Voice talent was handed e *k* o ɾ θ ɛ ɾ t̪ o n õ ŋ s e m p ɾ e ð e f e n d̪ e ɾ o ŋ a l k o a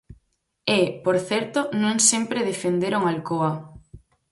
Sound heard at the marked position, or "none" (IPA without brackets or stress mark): p